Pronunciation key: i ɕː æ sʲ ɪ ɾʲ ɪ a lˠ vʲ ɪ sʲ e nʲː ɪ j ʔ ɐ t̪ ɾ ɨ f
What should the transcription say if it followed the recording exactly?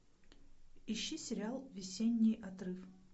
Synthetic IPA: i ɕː i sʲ ɪ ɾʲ ɪ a lˠ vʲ ɪ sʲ e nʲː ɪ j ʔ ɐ t̪ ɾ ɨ f

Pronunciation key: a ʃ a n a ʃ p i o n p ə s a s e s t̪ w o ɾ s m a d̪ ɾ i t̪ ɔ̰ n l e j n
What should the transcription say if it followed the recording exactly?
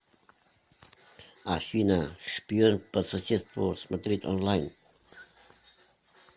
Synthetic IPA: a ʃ i n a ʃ p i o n p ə s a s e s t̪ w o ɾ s m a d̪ ɾ i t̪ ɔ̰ n l a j n

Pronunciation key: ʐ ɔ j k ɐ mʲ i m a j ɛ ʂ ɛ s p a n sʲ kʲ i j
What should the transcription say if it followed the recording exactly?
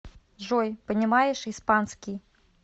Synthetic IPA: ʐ ɔ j p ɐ nʲ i m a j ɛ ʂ i s p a n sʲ kʲ i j

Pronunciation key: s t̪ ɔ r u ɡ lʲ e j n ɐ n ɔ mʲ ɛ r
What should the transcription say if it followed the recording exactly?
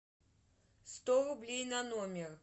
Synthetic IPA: s t̪ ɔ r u b lʲ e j n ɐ n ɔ mʲ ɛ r

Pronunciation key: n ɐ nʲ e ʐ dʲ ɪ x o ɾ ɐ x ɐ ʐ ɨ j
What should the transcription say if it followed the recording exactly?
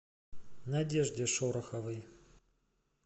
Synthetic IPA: n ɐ dʲ e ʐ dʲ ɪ ʂ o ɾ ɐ x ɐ v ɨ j

